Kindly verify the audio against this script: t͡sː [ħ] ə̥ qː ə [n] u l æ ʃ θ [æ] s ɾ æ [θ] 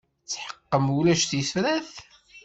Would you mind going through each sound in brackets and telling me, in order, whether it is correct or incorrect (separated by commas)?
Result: correct, incorrect, incorrect, correct